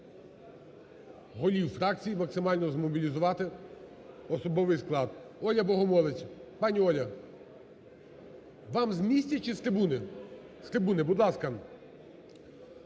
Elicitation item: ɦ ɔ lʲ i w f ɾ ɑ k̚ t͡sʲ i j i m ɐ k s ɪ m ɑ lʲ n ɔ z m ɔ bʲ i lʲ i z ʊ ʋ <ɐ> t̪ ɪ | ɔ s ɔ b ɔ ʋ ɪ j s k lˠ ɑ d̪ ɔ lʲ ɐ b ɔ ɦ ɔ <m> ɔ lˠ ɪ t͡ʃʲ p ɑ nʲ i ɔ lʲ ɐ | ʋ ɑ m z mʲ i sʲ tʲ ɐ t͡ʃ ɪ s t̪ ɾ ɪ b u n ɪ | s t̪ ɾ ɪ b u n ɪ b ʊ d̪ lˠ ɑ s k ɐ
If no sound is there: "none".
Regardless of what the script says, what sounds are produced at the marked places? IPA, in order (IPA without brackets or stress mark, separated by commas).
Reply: ɑ, m